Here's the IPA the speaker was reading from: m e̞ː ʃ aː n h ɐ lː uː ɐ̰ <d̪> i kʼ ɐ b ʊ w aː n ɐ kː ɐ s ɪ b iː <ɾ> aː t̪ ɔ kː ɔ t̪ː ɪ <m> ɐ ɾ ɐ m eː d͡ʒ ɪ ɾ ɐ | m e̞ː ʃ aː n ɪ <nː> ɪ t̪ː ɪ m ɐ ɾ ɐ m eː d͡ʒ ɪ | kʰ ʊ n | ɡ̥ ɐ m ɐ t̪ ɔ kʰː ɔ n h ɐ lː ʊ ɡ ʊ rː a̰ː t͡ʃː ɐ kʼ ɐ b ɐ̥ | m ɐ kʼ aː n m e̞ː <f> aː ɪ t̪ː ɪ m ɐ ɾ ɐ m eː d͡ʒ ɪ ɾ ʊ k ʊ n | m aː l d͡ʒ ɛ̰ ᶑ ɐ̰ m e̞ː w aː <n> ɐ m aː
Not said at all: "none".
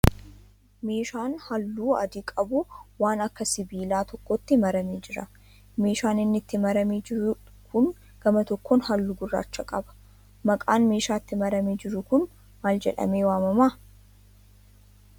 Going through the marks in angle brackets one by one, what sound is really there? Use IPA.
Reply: d̪, l, m, nː, ʃ, m

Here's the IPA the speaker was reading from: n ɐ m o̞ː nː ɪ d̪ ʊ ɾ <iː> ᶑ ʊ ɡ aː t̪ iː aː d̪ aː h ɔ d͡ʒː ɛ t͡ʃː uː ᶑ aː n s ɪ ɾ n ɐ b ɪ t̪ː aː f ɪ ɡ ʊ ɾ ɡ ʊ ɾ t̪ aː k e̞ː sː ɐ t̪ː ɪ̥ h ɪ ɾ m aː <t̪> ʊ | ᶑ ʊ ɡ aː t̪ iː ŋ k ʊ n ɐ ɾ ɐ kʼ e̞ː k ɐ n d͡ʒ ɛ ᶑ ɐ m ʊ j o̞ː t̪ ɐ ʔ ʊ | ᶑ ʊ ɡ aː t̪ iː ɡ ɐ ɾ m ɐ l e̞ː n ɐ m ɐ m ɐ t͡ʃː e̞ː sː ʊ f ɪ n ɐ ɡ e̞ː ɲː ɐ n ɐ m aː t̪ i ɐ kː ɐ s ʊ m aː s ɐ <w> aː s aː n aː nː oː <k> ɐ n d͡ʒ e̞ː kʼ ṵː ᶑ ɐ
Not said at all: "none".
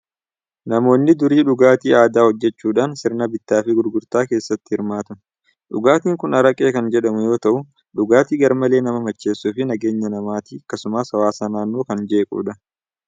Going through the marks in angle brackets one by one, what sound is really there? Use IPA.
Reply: iː, t̪, w, k

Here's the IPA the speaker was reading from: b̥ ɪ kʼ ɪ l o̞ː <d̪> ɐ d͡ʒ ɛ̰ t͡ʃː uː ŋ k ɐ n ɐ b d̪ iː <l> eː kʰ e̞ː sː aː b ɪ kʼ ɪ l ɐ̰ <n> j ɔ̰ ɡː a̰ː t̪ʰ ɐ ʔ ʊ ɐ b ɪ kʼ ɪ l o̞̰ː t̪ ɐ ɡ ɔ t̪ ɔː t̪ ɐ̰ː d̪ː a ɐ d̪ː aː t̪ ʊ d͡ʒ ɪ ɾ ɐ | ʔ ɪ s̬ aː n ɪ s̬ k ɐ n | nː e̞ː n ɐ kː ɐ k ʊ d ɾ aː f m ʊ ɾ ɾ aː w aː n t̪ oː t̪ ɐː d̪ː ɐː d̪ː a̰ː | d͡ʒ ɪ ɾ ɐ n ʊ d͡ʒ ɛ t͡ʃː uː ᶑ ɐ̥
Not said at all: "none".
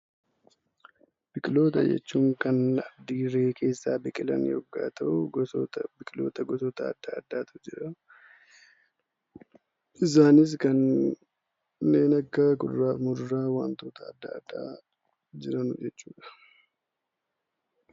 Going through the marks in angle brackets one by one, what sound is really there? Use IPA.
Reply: t̪, ɾ, n

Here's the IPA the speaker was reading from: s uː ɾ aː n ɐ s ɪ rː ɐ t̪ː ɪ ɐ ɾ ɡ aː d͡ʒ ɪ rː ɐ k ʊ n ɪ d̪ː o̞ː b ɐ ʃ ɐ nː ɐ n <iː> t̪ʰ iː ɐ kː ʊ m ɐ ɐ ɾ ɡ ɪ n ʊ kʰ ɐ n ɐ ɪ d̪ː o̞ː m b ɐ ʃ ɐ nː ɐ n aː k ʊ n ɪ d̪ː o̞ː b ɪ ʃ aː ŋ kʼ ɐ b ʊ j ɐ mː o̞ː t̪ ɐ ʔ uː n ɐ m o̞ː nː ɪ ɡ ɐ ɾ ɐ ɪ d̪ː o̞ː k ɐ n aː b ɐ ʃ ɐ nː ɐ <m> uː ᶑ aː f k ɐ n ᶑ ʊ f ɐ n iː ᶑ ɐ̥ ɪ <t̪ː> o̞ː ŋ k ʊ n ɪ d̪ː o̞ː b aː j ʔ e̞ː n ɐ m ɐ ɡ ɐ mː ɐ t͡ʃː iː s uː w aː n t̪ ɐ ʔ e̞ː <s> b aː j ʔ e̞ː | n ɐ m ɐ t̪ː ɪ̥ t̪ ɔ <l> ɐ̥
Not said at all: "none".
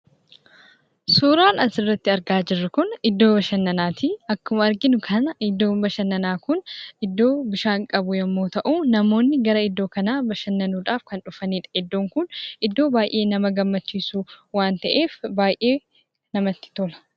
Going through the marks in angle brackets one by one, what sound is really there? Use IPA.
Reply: aː, n, d̪ː, f, l

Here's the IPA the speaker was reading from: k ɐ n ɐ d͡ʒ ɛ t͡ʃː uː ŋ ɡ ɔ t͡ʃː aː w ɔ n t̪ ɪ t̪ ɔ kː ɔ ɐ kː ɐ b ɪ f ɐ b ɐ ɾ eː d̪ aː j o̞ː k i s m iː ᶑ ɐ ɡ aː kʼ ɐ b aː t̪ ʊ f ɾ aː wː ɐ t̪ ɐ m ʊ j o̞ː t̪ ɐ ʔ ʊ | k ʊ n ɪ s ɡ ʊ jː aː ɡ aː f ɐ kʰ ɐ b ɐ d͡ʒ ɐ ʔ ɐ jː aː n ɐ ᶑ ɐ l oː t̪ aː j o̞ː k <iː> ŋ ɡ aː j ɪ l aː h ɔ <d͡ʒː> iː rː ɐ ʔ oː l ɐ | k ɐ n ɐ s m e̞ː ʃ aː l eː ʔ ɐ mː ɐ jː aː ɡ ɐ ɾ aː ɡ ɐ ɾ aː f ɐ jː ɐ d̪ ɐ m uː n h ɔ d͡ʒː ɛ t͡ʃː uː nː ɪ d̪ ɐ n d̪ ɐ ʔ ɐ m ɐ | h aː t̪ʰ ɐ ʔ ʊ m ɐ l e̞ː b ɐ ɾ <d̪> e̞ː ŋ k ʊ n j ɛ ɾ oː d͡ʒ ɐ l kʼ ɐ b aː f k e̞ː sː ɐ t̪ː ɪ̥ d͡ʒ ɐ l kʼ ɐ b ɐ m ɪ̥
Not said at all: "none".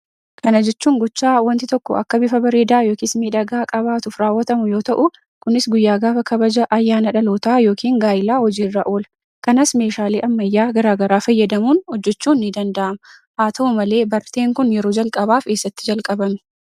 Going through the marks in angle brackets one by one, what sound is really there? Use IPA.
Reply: iː, d͡ʒ, t̪

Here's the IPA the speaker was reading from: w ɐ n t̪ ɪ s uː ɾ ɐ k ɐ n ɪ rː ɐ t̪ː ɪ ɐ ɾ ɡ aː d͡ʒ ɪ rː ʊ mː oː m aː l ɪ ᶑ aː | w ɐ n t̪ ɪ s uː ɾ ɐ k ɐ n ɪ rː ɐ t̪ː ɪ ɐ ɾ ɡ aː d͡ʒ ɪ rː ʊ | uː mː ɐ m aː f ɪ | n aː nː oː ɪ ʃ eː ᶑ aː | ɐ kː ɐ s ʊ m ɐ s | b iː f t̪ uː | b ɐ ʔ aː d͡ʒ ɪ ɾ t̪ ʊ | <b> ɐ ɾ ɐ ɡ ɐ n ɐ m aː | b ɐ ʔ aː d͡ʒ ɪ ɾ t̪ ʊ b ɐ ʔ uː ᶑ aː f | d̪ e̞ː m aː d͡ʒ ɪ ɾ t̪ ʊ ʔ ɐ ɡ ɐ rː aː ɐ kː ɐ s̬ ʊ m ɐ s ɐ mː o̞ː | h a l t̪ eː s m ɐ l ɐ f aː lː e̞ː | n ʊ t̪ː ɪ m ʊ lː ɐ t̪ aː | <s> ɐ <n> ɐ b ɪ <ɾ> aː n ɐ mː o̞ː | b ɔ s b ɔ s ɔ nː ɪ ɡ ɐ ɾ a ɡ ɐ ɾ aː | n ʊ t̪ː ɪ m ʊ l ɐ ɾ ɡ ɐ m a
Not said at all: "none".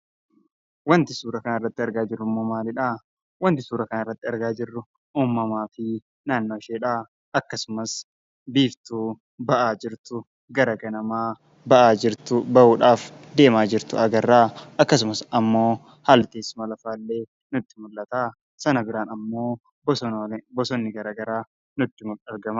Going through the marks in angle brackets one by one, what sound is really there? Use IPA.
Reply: ɡ, s, n, ɾ

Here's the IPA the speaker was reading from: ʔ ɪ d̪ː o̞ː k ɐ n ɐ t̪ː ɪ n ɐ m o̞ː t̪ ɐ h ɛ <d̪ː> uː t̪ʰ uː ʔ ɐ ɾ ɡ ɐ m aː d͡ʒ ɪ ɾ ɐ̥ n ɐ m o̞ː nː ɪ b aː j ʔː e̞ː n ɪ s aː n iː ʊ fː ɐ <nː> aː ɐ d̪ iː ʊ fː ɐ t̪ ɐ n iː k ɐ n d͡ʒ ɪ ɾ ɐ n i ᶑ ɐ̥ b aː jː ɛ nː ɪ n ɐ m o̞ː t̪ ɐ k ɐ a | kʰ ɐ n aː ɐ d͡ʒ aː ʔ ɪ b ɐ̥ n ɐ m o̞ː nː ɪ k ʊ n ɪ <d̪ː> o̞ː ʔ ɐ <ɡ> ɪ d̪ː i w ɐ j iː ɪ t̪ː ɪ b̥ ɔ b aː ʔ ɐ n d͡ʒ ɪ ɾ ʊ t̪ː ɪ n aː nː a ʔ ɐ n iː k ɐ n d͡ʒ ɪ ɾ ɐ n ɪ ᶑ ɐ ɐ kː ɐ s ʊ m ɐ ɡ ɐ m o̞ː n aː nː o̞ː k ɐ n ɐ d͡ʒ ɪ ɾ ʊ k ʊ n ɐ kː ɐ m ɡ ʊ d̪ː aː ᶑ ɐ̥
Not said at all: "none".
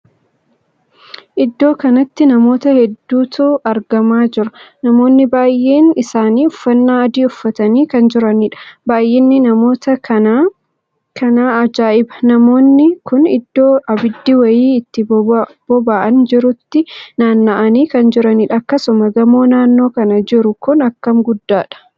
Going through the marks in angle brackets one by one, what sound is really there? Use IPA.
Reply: d̪ː, nː, d̪ː, b

